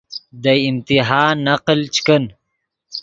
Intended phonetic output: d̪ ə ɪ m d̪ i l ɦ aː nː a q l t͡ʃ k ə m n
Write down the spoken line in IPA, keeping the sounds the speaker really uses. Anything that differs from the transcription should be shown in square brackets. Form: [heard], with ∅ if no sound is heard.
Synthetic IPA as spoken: d̪ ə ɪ m [t̪] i [∅] ɦ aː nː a q l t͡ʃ k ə [∅] n